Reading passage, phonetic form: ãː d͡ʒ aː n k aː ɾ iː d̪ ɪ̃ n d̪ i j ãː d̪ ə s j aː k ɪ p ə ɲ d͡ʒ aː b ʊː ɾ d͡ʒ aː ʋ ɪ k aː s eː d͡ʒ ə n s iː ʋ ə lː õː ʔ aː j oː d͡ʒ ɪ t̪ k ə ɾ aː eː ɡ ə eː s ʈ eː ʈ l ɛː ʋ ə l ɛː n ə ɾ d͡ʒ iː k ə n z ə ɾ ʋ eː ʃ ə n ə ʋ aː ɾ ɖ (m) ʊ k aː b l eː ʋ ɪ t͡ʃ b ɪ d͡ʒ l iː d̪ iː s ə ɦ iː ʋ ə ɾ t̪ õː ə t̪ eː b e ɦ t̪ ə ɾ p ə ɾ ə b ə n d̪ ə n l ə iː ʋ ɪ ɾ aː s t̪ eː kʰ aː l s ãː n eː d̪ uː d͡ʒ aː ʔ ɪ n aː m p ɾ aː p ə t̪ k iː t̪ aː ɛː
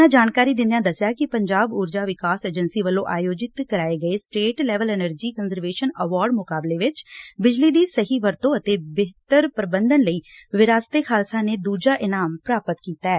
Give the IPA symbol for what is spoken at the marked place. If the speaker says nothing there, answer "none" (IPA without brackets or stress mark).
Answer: m